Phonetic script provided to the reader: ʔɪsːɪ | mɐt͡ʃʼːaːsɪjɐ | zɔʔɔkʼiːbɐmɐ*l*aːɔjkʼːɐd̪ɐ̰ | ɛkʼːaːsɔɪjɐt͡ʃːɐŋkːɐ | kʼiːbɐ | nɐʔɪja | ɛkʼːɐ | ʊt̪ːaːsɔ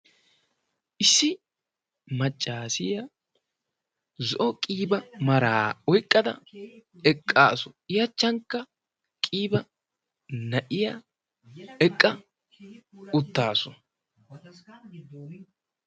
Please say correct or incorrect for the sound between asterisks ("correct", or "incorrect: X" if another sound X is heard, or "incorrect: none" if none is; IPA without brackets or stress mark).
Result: incorrect: ɾ